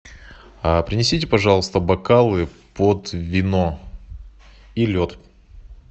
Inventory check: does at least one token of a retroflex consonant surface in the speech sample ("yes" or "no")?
yes